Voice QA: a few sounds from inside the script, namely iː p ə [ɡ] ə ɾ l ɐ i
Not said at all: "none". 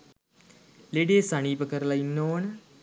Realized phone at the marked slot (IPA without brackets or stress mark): k